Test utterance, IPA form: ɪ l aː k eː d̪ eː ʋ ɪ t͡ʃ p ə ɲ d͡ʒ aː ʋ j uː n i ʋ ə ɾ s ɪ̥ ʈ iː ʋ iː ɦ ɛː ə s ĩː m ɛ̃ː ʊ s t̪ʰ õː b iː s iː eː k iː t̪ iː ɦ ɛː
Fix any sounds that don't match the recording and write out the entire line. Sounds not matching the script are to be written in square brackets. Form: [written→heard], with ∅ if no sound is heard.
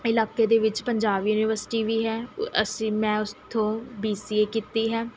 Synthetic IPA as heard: ɪ l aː k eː d̪ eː ʋ ɪ t͡ʃ p ə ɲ d͡ʒ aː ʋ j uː n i ʋ ə ɾ s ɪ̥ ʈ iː ʋ iː ɦ ɛː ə s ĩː m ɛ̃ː ʊ s t̪ʰ õː b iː s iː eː k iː t̪ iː ɦ ɛː